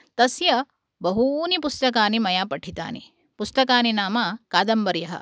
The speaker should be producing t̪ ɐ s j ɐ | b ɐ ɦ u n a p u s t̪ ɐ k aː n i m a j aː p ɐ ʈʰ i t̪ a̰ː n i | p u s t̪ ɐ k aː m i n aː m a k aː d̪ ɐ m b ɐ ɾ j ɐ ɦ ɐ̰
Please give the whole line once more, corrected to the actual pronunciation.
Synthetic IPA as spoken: t̪ ɐ s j ɐ | b ɐ ɦ u n i p u s t̪ ɐ k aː n i m ɐ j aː p ɐ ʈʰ i t̪ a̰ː n i | p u s t̪ ɐ k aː n i n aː m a k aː d̪ ɐ m b ɐ ɾ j ɐ ɦ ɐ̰